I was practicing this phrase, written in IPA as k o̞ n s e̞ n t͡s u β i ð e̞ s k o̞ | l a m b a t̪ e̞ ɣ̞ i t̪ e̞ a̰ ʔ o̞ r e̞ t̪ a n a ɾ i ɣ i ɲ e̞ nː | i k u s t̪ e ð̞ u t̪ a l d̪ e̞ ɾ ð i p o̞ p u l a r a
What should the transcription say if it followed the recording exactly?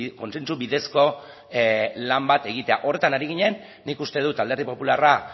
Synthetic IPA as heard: k o̞ n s e̞ n t͡s u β i ð e̞ s k o̞ | l a m b a t̪ e̞ ɣ̞ i t̪ e̞ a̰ ʔ o̞ r e̞ t̪ a n a ɾ i ɣ i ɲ e̞ nː | i k u s t̪ e ð̞ u t̪ a l d̪ e̞ ɾ ð i p o̞ p u l a r a